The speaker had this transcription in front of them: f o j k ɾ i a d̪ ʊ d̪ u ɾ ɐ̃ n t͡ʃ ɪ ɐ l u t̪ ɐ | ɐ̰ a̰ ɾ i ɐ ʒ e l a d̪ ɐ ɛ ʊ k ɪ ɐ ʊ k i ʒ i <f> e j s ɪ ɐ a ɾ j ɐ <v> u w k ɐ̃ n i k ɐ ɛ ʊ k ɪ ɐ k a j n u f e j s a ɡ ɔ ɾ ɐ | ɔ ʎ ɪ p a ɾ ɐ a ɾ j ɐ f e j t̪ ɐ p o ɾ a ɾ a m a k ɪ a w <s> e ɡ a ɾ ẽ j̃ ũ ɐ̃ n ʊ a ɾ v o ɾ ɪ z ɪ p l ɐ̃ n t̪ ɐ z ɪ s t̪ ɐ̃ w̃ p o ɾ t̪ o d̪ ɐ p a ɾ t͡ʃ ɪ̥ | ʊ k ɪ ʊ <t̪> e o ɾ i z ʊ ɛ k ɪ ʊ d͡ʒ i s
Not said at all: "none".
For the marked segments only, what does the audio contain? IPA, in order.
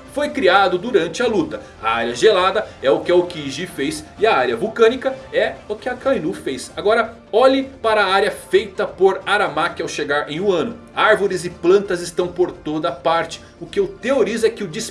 f, v, ʃ, t̪

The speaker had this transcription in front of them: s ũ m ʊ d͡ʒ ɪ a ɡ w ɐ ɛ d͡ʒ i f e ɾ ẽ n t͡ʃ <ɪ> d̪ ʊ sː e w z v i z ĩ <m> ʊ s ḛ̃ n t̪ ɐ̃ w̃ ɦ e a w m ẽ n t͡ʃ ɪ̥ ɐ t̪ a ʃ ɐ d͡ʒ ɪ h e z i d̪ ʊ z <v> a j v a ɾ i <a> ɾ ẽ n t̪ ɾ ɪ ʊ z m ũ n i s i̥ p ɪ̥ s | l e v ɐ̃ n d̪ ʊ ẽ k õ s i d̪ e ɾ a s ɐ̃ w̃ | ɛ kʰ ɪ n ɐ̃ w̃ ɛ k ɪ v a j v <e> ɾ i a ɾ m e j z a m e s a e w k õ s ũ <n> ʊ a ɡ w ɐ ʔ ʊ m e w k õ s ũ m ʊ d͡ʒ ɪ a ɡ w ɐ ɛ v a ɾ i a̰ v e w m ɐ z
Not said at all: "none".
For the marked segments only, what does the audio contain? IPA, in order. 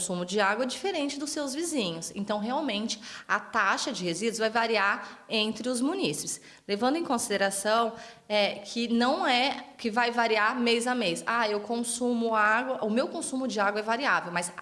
ɪ, ɲ, v, a, a, m

